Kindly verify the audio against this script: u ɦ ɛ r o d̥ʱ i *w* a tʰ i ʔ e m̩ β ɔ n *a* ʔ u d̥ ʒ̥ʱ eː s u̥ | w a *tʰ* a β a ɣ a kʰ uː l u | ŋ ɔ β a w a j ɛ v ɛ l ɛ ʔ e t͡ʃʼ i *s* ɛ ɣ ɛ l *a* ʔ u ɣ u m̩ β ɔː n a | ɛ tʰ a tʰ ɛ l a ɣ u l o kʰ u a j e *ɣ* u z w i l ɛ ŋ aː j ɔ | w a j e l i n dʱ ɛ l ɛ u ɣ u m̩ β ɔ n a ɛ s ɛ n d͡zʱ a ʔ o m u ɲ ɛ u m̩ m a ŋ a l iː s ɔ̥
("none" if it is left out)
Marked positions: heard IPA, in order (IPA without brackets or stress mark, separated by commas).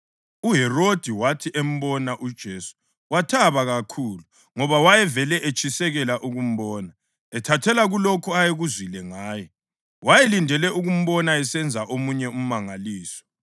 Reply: w, a, tʰ, s, a, ɣ